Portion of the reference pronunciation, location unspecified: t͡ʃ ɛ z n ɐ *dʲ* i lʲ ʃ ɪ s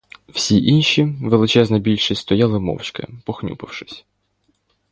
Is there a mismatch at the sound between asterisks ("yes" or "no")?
yes